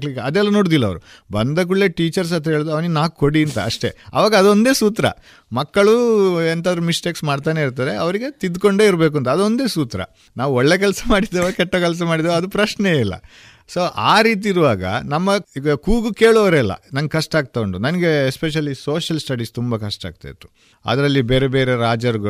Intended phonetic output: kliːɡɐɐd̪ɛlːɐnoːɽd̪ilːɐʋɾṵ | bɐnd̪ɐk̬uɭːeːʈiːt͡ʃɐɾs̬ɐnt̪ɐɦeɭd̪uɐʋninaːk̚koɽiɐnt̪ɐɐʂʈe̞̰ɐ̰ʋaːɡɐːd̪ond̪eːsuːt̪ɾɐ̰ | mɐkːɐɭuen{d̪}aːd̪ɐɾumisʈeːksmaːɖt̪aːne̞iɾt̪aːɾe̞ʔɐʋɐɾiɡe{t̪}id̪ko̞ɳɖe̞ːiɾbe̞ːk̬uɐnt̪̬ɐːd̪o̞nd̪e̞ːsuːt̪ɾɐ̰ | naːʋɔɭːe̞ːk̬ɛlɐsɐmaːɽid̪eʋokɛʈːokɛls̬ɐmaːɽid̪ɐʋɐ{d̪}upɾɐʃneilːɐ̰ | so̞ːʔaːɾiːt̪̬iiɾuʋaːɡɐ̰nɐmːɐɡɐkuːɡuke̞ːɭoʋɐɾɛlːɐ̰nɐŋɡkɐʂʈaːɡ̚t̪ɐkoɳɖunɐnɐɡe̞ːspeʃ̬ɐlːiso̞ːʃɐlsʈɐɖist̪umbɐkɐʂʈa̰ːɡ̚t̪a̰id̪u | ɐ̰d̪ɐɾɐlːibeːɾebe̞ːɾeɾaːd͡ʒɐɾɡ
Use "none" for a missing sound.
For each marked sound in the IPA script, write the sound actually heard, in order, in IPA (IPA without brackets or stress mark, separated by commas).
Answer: t̪, t̪, d̪